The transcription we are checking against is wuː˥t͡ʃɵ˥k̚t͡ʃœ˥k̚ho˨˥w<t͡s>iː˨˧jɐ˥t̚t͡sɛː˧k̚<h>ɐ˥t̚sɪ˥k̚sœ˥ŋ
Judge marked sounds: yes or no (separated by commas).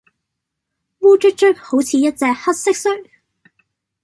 no, yes